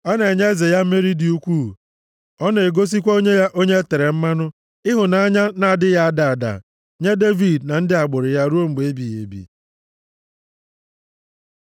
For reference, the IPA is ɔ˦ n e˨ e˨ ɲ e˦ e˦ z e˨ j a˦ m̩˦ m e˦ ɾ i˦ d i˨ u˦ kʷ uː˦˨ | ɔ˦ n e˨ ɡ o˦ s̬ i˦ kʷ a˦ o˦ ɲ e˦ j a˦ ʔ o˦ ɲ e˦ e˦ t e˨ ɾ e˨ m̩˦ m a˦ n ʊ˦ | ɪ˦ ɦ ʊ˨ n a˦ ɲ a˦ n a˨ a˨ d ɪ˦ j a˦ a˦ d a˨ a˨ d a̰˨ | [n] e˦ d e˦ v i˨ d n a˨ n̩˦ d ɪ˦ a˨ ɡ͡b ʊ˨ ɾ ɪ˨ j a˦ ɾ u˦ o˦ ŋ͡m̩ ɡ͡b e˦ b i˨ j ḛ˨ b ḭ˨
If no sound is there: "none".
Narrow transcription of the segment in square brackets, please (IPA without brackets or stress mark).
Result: ɲ